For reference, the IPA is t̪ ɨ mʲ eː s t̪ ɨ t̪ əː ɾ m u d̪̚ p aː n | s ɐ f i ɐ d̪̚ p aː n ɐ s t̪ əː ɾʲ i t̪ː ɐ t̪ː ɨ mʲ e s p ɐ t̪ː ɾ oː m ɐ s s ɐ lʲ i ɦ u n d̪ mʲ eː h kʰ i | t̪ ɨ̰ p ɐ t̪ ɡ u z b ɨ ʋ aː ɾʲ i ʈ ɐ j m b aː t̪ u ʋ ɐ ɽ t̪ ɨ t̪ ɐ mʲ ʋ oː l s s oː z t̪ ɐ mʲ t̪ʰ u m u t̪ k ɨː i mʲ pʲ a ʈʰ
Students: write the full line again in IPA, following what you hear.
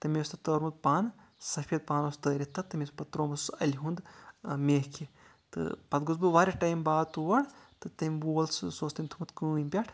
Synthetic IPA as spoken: t̪ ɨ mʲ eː s t̪ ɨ t̪ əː ɾ m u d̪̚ p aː n | s ɐ f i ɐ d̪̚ p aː n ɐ s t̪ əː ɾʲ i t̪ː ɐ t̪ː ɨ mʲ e s p ɐ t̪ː ɾ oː m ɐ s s ɐ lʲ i ɦ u n d̪ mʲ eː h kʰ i | t̪ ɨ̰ p ɐ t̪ ɡ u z b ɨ ʋ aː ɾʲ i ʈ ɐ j m b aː t̪ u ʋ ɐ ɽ t̪ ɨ t̪ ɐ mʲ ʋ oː l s s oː s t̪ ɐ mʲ t̪ʰ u m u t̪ k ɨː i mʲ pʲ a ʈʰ